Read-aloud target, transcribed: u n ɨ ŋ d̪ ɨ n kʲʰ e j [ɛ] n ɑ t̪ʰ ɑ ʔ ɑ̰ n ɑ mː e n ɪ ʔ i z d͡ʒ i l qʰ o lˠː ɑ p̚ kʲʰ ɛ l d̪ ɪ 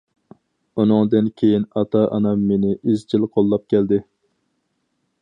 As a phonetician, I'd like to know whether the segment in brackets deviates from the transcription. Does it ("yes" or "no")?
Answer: yes